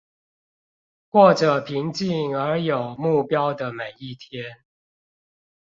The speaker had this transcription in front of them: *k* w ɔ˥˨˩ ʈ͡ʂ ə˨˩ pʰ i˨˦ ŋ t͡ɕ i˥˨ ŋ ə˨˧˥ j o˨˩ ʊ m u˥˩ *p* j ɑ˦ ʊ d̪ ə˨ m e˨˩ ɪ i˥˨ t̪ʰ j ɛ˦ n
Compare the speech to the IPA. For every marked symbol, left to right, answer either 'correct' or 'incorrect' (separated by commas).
correct, correct